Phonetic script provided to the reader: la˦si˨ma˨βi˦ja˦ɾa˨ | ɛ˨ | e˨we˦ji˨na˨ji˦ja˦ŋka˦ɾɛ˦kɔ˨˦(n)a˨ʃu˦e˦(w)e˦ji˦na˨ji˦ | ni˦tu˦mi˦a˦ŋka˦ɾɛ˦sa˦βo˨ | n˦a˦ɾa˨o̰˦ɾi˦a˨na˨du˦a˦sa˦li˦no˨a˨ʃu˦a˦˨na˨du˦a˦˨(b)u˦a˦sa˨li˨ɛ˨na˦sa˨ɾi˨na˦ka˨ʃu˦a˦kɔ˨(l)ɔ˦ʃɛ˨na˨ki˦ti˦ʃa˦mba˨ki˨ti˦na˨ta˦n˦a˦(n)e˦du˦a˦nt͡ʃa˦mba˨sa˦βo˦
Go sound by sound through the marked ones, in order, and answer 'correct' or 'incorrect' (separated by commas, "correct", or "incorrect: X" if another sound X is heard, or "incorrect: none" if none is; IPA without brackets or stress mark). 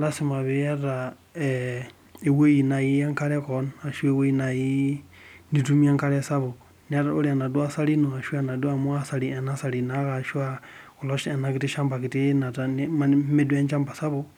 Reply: correct, correct, incorrect: m, correct, incorrect: m